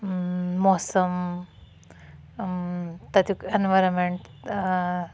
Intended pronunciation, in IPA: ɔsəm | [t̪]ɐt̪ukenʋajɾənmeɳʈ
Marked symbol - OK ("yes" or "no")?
yes